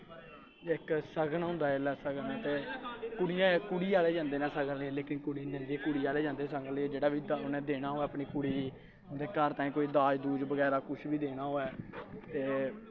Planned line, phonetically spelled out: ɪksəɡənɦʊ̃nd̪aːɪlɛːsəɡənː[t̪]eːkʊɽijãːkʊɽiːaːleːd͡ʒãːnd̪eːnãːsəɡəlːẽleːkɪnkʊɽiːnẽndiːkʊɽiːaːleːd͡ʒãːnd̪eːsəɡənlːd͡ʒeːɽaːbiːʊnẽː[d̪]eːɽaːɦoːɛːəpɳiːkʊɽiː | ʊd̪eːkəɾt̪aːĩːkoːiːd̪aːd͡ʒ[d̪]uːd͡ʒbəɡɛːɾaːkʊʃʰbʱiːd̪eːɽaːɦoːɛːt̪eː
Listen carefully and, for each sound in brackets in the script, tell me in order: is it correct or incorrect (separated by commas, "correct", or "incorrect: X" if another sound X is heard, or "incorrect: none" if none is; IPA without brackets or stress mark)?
correct, correct, correct